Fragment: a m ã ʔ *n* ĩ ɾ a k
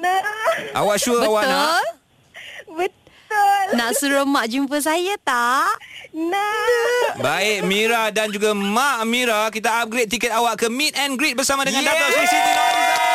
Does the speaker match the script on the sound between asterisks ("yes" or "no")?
no